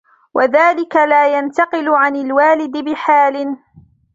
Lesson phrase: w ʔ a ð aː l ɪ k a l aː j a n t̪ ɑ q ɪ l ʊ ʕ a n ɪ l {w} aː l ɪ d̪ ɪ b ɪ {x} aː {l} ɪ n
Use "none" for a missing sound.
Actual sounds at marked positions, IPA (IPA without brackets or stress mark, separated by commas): w, ħ, l